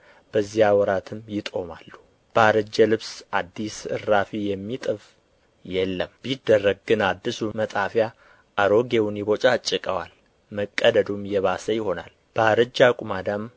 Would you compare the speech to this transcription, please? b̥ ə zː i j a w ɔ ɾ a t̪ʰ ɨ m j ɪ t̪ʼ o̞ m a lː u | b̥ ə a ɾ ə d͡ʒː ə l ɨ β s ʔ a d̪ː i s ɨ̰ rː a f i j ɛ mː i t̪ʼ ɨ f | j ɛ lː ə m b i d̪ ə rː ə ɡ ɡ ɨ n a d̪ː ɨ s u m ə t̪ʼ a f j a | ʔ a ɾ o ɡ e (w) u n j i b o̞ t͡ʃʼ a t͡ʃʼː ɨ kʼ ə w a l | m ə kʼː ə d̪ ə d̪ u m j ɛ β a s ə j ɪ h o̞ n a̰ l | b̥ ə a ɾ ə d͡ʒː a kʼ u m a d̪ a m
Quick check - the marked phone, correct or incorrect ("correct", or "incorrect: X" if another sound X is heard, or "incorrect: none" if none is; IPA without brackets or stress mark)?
correct